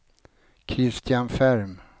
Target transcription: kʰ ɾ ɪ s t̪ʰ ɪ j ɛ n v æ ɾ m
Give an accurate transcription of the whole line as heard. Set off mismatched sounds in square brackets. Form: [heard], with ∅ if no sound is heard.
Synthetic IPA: kʰ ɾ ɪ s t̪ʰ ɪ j [a] n [f] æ ɾ m